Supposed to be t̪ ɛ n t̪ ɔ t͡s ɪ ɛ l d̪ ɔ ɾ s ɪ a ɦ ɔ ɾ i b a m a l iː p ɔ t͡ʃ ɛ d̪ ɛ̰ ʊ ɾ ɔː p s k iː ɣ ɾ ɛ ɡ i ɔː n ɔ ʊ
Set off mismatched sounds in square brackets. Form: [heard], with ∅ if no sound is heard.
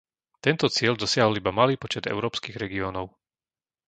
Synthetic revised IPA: t̪ ɛ n t̪ ɔ t͡s ɪ ɛ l d̪ ɔ [∅] s ɪ a ɦ ɔ [l] i b a m a l iː p ɔ t͡ʃ ɛ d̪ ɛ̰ ʊ ɾ ɔː p s k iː ɣ ɾ ɛ ɡ i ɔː n ɔ ʊ